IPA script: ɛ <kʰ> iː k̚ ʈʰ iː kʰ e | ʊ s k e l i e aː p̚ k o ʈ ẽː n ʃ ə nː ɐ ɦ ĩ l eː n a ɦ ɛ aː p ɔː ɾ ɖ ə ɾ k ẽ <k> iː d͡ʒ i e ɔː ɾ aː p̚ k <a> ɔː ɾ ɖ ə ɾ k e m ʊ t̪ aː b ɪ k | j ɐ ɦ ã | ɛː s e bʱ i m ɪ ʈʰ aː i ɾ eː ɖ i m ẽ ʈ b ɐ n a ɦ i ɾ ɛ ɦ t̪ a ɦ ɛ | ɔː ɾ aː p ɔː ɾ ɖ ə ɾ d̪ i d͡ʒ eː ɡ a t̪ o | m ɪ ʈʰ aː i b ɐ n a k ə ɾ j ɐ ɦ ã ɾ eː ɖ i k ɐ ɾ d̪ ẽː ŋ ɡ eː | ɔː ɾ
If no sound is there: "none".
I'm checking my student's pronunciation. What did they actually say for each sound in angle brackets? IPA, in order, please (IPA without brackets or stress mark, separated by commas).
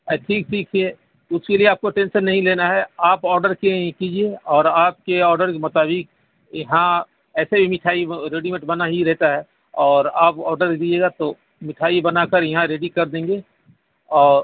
ʈʰ, k, e